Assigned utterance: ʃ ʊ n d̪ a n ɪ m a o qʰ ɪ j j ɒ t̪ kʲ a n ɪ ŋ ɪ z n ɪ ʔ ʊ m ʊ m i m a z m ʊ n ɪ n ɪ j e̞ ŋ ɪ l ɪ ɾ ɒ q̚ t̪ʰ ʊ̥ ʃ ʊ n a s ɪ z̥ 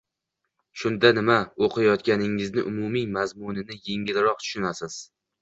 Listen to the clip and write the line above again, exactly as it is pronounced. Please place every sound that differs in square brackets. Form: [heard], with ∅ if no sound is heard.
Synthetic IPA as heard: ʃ ʊ n d̪ a n ɪ m a o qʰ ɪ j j ɒ t̪ kʲ a n ɪ ŋ ɪ z n ɪ ʔ ʊ m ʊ m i m a z m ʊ n ɪ n ɪ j e̞ ŋ ɪ l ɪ ɾ ɒ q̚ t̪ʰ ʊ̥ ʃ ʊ n a s ɪ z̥